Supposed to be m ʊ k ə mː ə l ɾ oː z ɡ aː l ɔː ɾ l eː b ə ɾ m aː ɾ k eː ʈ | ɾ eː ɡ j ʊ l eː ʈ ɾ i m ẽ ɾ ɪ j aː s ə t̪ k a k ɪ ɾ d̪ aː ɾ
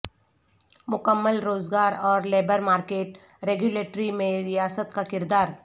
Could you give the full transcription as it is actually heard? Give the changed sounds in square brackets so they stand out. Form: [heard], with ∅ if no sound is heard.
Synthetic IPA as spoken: m ʊ k ə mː ə l ɾ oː z ɡ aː [ɾ] ɔː ɾ l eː b ə ɾ m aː ɾ k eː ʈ | ɾ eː ɡ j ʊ l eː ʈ ɾ i m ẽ ɾ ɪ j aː s ə t̪ k a k ɪ ɾ d̪ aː ɾ